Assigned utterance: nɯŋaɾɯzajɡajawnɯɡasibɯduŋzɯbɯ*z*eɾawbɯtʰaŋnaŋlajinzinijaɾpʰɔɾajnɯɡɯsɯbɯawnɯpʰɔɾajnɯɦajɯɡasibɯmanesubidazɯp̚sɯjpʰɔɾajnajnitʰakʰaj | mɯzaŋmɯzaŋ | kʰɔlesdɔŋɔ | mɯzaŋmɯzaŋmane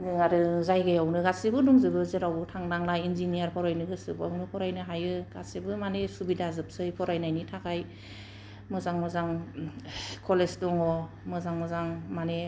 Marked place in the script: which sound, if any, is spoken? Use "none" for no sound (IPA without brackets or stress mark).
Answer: z